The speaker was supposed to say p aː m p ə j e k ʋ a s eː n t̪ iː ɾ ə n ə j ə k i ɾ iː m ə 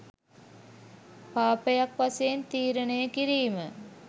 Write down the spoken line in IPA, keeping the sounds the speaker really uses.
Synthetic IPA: p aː p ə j a k ʋ a s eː n t̪ iː ɾ ə n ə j ə k i ɾ iː m ə